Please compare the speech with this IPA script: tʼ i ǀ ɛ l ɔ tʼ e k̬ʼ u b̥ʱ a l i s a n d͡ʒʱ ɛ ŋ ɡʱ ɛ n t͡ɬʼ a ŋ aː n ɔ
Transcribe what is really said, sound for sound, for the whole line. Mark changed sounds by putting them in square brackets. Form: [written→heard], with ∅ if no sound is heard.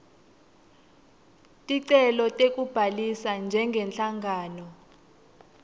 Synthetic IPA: tʼ i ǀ ɛ l ɔ tʼ e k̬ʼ u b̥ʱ a l i s a n d͡ʒʱ ɛ ŋ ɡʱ ɛ n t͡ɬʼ a ŋ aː n ɔ